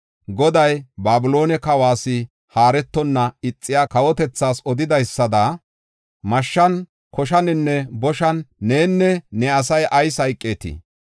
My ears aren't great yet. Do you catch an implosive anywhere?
no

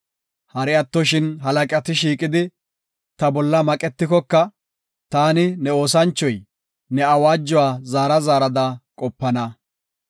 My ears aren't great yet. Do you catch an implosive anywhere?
no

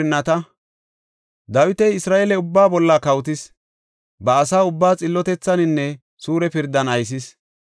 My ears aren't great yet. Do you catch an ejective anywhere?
yes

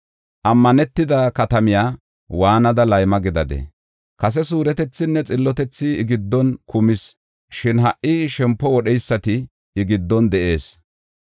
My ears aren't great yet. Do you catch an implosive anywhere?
yes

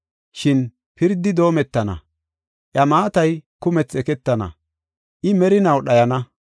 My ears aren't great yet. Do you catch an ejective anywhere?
no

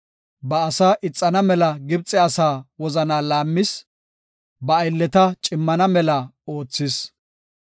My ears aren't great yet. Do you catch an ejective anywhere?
yes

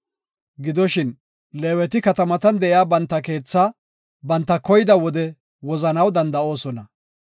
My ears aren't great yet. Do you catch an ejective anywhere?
no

